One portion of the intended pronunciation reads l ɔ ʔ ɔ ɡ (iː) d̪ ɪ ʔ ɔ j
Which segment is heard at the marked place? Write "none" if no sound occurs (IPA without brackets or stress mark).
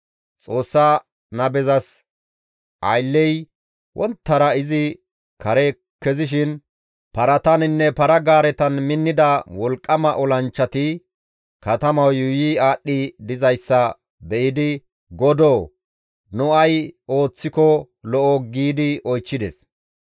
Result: iː